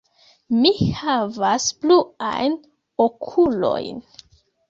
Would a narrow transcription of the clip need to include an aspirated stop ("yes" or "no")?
yes